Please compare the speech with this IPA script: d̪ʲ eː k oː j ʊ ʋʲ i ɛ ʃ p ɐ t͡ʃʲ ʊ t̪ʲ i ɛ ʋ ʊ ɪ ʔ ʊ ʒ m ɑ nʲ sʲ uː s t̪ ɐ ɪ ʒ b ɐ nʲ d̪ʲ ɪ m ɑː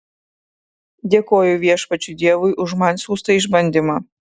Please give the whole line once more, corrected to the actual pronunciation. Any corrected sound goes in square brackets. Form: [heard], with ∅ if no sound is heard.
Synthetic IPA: d̪ʲ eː k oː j ʊ ʋʲ i ɛ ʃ p ɐ t͡ʃʲ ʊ [d̪ʲ] i ɛ ʋ ʊ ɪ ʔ ʊ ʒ m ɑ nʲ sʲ uː s t̪ ɐ ɪ ʒ b ɐ nʲ d̪ʲ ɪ m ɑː